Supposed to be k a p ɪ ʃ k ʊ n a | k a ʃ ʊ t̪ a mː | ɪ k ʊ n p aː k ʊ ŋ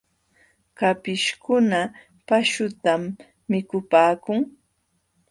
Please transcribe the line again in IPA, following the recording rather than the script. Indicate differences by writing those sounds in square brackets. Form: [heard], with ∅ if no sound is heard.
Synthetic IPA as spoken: k a p ɪ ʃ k ʊ n a | [p] a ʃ ʊ t̪ a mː | ɪ k ʊ [∅] p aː k ʊ ŋ